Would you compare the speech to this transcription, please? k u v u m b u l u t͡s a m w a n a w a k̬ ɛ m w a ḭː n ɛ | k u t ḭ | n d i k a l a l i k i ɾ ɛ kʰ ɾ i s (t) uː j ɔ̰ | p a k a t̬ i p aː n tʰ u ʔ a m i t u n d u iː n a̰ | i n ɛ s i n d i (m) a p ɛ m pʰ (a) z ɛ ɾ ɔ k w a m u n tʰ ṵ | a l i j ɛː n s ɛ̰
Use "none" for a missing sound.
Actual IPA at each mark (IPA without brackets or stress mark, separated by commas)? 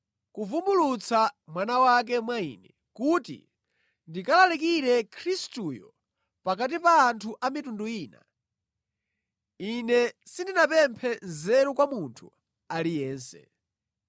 t, n, ɛ